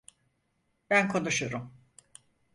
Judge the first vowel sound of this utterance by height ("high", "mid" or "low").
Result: low